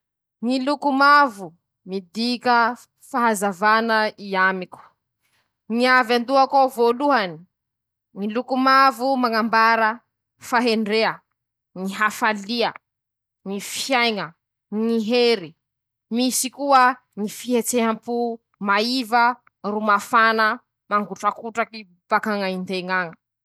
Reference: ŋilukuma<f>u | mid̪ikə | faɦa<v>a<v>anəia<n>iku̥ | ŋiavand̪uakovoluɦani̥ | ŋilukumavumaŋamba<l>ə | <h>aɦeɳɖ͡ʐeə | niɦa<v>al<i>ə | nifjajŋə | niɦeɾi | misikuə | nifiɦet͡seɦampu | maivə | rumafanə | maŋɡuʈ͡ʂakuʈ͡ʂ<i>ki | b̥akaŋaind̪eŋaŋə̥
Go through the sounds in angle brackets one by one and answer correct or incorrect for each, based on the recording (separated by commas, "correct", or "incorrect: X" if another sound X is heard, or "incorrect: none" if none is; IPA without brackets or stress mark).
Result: incorrect: v, incorrect: z, correct, incorrect: m, incorrect: ɾ, incorrect: f, incorrect: f, correct, incorrect: a